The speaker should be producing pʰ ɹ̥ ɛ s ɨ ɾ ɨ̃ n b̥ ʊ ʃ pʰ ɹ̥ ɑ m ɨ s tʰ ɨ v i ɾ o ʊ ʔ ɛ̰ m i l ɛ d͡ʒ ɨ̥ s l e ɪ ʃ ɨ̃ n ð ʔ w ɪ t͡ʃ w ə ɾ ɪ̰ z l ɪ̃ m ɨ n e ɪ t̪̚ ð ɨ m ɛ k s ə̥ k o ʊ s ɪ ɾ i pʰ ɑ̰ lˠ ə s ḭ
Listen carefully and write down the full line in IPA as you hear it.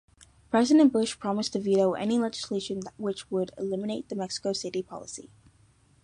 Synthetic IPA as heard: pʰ ɹ̥ ɛ z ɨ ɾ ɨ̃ n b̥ ʊ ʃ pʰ ɹ̥ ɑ m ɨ s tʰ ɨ v i ɾ o ʊ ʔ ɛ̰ n i l ɛ d͡ʒ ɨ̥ s l e ɪ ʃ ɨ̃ n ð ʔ w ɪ t͡ʃ w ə ɾ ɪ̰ l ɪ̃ m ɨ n e ɪ t̪̚ ð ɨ m ɛ k s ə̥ k o ʊ s ɪ ɾ i pʰ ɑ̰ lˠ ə s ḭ